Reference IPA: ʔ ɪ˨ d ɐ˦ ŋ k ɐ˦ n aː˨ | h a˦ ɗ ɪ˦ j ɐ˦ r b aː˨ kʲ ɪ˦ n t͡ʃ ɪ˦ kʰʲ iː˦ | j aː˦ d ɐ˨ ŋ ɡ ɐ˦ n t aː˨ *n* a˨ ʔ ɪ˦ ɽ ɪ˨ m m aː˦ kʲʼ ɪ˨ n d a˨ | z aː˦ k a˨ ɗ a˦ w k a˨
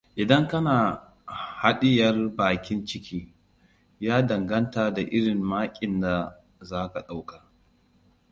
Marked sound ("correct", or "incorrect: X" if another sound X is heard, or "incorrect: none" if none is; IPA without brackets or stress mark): incorrect: d